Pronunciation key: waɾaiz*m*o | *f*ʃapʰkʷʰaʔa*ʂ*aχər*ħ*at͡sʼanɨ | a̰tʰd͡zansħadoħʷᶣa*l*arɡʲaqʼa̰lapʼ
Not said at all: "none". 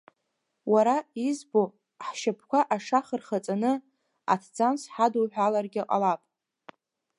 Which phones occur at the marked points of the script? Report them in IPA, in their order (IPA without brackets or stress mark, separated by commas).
b, ħ, ʂ, χ, l